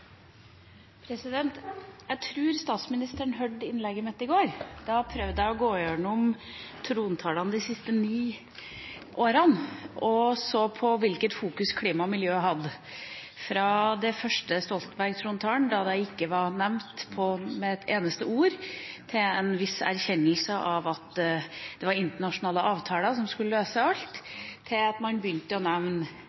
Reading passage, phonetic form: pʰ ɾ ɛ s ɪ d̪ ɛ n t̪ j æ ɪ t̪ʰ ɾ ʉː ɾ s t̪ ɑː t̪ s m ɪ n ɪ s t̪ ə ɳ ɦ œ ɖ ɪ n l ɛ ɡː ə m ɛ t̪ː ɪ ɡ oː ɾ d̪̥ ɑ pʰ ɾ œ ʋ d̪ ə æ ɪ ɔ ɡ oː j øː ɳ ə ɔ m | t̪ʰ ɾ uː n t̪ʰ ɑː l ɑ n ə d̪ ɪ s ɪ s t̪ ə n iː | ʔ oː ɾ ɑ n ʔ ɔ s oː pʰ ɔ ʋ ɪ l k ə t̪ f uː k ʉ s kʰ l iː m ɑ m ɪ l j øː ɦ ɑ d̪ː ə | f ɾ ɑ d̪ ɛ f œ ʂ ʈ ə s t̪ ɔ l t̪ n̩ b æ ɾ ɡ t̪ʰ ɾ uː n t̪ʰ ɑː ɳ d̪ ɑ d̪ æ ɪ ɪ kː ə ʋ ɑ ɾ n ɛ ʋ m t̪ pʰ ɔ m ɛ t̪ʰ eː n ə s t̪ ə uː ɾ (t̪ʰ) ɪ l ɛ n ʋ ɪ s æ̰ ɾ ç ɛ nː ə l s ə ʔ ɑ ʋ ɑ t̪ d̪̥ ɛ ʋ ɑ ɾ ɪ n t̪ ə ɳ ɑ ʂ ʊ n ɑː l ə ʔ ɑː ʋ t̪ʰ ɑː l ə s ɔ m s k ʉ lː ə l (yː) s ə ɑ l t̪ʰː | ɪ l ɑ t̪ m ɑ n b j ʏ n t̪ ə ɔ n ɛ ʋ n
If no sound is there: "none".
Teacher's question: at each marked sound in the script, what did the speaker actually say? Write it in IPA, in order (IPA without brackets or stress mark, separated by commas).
t̪ʰ, øː